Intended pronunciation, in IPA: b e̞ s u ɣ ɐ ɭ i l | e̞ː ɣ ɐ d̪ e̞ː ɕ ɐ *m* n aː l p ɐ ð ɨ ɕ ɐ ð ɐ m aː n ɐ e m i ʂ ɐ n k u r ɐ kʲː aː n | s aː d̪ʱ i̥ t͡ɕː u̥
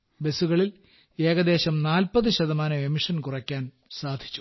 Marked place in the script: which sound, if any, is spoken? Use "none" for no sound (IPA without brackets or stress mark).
m